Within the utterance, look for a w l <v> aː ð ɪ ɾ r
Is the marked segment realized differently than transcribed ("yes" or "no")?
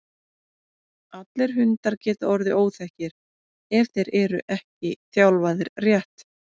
no